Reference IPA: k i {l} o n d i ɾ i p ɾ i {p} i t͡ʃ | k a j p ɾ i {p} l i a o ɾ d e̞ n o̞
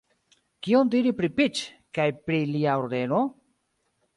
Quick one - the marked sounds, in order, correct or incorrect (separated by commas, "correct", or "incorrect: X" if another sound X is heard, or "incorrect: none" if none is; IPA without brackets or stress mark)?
incorrect: none, correct, incorrect: none